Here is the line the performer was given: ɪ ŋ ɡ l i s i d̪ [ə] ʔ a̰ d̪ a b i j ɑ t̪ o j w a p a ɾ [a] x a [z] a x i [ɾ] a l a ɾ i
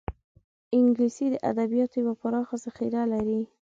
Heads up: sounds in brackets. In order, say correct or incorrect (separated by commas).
correct, incorrect, correct, correct